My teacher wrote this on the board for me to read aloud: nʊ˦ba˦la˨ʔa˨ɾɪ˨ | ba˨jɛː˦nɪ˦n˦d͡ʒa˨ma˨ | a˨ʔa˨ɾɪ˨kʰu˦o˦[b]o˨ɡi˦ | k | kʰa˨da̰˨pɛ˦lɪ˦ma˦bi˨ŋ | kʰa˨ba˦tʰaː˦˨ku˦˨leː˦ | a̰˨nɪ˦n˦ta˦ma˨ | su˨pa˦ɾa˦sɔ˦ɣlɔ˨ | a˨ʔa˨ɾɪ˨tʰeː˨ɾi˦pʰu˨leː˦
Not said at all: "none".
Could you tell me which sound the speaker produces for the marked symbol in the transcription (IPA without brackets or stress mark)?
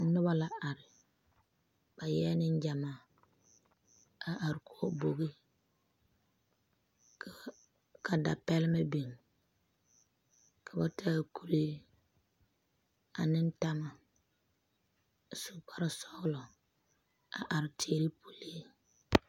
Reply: b